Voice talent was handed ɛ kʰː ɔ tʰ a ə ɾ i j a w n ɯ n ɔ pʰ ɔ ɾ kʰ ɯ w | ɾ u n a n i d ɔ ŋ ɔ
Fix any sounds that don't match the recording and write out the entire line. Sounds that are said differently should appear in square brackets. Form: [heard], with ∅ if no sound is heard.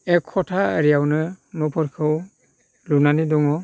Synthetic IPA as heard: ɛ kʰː ɔ tʰ a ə ɾ i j a w n ɯ n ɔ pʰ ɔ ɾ kʰ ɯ w | [l] u n a n i d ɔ ŋ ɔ